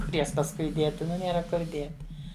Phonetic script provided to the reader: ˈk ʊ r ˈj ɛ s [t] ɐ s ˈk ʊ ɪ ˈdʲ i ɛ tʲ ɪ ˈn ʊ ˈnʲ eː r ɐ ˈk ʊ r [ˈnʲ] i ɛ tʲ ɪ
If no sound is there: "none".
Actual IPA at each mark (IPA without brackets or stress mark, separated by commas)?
p, dʲ